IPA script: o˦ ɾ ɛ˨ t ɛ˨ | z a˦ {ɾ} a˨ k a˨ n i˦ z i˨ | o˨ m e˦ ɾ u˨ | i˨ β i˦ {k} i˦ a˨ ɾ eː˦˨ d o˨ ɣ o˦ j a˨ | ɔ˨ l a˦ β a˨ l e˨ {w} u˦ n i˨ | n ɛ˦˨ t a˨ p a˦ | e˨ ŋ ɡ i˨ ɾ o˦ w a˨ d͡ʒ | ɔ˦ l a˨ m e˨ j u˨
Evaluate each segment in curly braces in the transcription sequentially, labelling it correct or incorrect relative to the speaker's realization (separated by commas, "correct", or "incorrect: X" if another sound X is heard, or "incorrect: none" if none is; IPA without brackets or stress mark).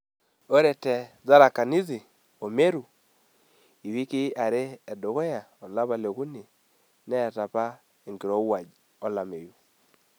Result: correct, correct, incorrect: ɣ